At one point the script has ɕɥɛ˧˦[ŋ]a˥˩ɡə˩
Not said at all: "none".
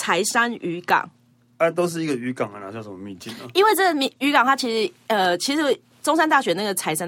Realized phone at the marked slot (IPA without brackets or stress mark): n